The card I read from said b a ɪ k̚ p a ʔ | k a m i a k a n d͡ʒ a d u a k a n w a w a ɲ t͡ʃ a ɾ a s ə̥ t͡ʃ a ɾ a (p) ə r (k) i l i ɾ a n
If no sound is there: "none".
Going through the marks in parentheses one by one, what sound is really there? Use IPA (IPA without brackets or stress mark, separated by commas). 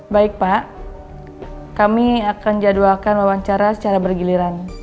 b, ɡ